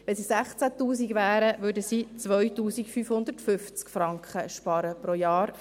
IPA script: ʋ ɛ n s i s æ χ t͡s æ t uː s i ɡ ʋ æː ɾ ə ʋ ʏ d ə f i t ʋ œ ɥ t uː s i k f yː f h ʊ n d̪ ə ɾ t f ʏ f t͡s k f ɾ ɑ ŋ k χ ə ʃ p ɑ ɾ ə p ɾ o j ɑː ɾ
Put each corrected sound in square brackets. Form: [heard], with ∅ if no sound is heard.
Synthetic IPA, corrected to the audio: ʋ ɛ n s i s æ χ t͡s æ t uː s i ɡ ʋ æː ɾ ə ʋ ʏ d ə [s] i [t͡s] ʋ œ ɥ t uː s i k f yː f h ʊ n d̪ ə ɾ t f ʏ f t͡s k f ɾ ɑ ŋ k χ ə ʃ p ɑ ɾ ə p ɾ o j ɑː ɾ